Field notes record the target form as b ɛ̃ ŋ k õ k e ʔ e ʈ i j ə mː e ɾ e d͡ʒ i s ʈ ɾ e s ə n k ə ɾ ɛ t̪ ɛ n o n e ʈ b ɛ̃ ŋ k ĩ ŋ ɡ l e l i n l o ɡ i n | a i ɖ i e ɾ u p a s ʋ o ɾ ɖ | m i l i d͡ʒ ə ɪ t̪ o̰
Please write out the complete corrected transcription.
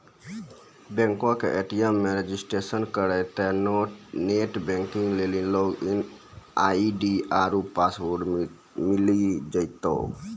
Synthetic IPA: b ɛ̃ ŋ k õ k e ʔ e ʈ i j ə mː e ɾ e d͡ʒ i s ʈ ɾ e s ə n k ə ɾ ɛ t̪ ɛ n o n e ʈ b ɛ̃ ŋ k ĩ ŋ ɡ l e l i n l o ɡ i n | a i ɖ i a ɾ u p a s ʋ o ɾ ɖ | m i l i d͡ʒ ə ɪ t̪ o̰

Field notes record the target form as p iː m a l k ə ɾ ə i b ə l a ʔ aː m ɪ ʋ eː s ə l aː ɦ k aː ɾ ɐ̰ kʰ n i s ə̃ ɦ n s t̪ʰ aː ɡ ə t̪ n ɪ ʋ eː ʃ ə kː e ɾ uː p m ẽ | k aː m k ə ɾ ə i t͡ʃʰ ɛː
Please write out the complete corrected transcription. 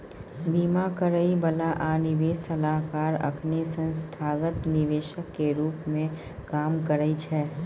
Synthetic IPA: b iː m a k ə ɾ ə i b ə l a ʔ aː n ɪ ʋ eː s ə l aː ɦ k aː ɾ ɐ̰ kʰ n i s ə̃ n s t̪ʰ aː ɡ ə t̪ n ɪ ʋ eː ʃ ə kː e ɾ uː p m ẽ | k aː m k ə ɾ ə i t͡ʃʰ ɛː

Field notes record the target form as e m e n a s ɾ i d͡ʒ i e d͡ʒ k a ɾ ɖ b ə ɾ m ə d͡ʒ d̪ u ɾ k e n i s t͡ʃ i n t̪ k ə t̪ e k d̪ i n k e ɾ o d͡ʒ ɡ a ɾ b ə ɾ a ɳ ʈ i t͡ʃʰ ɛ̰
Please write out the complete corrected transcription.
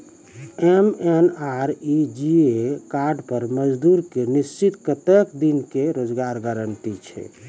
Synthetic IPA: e m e n a ɾ i d͡ʒ i e k a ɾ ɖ p ə ɾ m ə d͡ʒ d̪ u ɾ k e n i s t͡ʃ i t̪ k ə t̪ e k d̪ i n k e ɾ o d͡ʒ ɡ a ɾ ɡ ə ɾ ə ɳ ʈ i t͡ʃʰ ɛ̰

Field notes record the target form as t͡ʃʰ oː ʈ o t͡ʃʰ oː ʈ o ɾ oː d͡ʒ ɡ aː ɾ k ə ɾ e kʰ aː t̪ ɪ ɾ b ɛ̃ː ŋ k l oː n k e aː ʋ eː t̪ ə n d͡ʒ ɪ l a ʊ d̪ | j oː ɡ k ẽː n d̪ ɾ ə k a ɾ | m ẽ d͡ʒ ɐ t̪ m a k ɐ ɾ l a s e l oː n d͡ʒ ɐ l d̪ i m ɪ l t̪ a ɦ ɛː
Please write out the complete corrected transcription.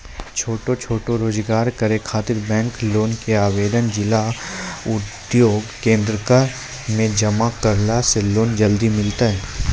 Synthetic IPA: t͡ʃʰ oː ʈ o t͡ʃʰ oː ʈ o ɾ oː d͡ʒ ɡ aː ɾ k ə ɾ e kʰ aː t̪ ɪ ɾ b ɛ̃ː ŋ k l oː n k e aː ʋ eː d̪ ə n d͡ʒ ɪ l a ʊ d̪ | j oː ɡ k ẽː n d̪ ɾ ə k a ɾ | m ẽ d͡ʒ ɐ m a k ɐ ɾ l a s e l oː n d͡ʒ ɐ l d̪ i m ɪ l t̪ a ɦ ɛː

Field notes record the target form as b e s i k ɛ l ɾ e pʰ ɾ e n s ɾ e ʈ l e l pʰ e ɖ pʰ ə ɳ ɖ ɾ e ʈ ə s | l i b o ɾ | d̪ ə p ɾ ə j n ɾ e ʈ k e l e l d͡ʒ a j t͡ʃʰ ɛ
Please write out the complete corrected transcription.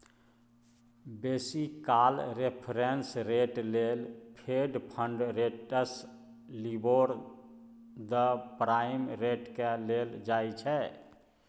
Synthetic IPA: b e s i k a l ɾ e pʰ ɾ e n s ɾ e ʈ l e l pʰ e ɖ pʰ ə ɳ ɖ ɾ e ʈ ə s | l i b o ɾ | d̪ ə p ɾ a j m ɾ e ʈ k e l e l d͡ʒ a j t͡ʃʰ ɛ

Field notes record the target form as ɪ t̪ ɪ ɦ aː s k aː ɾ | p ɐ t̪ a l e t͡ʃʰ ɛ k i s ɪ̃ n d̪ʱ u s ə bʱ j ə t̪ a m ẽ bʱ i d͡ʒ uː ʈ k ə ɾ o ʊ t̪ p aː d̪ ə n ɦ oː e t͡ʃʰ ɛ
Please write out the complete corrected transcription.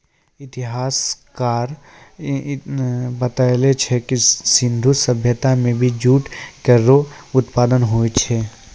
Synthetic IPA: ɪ t̪ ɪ ɦ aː s k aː ɾ | b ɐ t̪ a l e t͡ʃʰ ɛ k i s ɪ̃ n d̪ʱ u s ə bʱ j ə t̪ a m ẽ bʱ i d͡ʒ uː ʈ k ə ɾ o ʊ t̪ p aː d̪ ə n ɦ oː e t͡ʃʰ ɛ

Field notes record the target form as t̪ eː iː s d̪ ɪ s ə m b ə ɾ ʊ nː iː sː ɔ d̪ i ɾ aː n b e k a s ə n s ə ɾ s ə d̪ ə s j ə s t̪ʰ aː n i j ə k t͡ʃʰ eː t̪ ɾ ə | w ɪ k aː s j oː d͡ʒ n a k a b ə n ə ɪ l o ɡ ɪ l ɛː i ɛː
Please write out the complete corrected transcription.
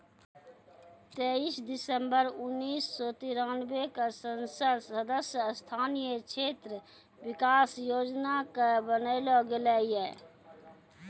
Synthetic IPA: t̪ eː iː s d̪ ɪ s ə m b ə ɾ ʊ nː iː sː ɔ t̪ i ɾ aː n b e k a s ə n s ə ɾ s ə d̪ ə s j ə s t̪ʰ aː n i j ə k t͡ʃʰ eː t̪ ɾ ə | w ɪ k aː s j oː d͡ʒ n a k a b ə n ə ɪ l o ɡ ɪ l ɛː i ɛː

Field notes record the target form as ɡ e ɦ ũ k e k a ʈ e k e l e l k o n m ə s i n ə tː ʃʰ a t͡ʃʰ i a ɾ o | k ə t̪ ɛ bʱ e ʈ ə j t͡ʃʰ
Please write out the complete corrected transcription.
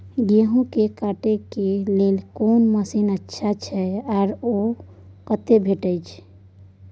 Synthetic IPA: ɡ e ɦ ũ k e k a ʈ e k e l e l k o n m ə s i n ə tː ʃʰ a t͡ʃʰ ɛ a ɾ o | k ə t̪ e bʱ e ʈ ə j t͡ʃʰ

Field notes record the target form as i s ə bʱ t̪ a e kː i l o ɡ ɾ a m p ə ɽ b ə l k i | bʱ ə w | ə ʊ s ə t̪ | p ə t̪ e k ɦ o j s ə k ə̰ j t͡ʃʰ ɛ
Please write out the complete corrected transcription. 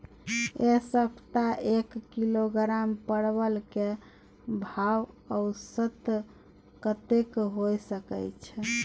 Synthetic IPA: e s ə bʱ t̪ a e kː i l o ɡ ɾ a m p ə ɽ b ə l k e | bʱ a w | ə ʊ s ə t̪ | k ə t̪ e k ɦ o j s ə k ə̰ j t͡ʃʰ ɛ

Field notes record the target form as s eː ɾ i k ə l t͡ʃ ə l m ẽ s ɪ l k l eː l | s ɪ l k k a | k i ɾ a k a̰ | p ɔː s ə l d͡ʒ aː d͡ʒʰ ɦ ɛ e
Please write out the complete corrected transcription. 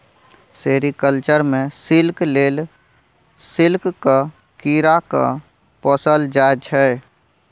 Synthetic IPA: s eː ɾ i k ə l t͡ʃ ə ɾ m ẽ s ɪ l k l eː l | s ɪ l k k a | k i ɾ a k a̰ | p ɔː s ə l d͡ʒ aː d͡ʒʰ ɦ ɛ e

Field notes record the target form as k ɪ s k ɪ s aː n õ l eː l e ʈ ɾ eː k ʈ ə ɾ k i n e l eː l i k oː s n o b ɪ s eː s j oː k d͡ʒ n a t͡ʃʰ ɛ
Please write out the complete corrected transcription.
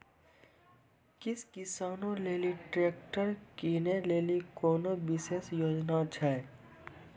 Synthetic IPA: k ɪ s k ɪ s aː n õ l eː l i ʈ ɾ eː k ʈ ə ɾ k i n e l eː l i k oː n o b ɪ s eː s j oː d͡ʒ n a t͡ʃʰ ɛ

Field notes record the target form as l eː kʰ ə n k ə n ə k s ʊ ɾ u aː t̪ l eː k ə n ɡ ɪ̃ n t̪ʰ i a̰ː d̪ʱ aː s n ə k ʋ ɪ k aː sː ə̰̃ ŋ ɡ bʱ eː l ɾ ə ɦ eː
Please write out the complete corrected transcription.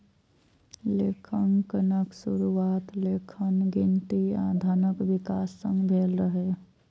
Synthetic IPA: l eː kʰ ə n k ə n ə k s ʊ ɾ u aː t̪ l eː kʰ ə n ɡ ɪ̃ n t̪ i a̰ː d̪ʱ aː n ə k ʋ ɪ k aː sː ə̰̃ ŋ ɡ bʱ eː l ɾ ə ɦ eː

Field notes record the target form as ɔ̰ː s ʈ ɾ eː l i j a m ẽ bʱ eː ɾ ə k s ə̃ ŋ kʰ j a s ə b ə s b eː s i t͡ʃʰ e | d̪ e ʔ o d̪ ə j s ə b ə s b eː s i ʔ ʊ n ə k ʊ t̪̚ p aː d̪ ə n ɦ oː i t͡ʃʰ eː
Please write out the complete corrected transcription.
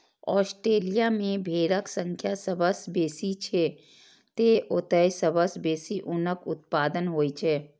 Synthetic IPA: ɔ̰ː s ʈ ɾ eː l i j a m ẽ bʱ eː ɾ ə k s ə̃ ŋ kʰ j a s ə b ə s b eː s i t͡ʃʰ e | t̪ e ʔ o t̪ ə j s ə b ə s b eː s i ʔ ʊ n ə k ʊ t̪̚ p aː d̪ ə n ɦ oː i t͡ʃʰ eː

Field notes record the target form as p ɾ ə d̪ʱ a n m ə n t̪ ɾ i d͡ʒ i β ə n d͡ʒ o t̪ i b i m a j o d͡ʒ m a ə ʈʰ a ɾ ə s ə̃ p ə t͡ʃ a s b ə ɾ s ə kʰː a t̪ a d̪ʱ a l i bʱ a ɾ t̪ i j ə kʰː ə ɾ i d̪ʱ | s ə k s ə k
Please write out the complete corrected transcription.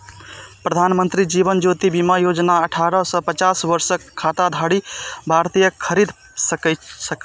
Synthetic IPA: p ɾ ə d̪ʱ a n m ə n t̪ ɾ i d͡ʒ i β ə n d͡ʒ o t̪ i b i m a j o d͡ʒ n a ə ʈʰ a ɾ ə s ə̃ p ə t͡ʃ a s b ə ɾ s ə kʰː a t̪ a d̪ʱ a ɽ i bʱ a ɾ t̪ i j ə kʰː ə ɾ i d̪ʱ | s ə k s ə k

